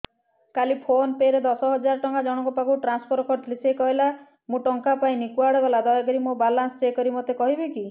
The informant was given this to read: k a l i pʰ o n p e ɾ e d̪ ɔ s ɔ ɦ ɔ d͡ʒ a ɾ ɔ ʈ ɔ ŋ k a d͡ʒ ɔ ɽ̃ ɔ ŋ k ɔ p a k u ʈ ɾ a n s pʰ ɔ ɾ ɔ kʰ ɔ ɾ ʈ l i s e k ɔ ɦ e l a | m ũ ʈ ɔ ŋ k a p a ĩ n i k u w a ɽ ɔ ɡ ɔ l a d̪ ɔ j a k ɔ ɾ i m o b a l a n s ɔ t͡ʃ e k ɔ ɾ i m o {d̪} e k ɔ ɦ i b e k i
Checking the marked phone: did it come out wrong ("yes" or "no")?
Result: yes